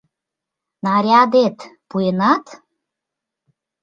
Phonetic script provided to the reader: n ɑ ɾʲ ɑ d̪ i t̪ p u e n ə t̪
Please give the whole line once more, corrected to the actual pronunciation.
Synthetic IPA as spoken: n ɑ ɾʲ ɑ d̪ e t̪ p u e n ɑ t̪